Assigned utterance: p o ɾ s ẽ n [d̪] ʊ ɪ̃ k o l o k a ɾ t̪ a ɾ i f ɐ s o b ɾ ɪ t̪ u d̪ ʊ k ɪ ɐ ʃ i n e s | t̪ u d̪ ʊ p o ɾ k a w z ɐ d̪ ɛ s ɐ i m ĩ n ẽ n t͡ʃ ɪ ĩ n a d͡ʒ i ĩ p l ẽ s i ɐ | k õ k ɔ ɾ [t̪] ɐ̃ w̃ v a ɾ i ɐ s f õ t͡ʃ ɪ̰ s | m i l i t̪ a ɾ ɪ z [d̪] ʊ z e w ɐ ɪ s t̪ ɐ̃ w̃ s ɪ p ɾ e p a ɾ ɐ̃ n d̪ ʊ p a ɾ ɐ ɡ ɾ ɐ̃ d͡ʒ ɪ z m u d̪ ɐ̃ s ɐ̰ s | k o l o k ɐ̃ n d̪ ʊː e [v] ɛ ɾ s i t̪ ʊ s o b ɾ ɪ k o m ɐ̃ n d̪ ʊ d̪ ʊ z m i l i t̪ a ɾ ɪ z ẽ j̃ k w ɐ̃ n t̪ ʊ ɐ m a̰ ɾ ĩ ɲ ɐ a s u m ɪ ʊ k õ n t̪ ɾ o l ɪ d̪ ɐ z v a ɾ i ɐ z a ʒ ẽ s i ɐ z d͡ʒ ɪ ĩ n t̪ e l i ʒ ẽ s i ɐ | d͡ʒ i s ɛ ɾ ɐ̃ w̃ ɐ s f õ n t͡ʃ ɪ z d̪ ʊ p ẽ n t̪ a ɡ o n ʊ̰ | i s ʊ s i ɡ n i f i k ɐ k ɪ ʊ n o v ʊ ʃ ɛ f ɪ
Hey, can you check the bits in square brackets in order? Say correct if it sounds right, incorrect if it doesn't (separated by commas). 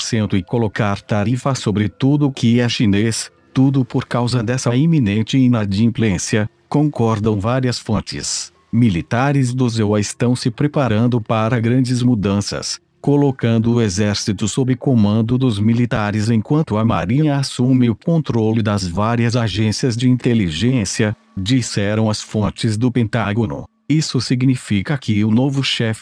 incorrect, incorrect, correct, incorrect